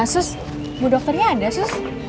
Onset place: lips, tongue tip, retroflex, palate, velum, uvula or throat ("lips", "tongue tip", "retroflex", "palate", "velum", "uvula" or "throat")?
tongue tip